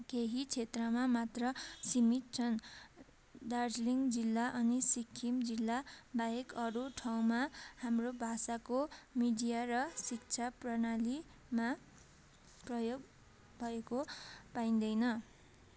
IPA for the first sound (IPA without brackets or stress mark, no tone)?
k